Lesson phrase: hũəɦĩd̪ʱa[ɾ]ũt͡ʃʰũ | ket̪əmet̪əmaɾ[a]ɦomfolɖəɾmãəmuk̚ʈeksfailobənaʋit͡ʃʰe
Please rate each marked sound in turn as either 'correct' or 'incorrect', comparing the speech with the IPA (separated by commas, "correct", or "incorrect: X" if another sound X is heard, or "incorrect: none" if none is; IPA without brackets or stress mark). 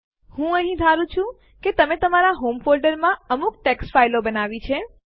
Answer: correct, correct